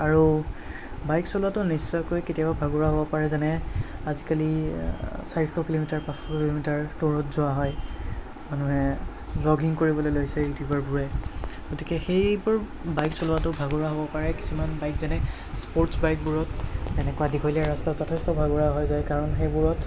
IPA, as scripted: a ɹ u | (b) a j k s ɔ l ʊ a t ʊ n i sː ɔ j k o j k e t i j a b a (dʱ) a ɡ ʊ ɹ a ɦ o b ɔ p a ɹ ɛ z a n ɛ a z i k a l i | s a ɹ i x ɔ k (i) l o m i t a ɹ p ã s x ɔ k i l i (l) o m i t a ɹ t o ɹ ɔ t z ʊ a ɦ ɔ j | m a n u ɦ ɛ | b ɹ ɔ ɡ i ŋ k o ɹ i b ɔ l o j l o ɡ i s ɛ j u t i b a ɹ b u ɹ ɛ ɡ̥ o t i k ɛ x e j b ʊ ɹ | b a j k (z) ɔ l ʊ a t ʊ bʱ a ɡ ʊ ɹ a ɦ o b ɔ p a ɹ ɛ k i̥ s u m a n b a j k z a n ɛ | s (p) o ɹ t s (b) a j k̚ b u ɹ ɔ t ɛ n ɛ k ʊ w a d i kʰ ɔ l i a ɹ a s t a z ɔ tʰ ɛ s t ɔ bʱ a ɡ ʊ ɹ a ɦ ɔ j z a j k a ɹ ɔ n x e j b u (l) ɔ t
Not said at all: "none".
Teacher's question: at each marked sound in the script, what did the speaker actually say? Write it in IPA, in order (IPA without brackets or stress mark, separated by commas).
b, bʱ, i, l, s, p, b, ɹ